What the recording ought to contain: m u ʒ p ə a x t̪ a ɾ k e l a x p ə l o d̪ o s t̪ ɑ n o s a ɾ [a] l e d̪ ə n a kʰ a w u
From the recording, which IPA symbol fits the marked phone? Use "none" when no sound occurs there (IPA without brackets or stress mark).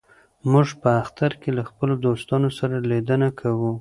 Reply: a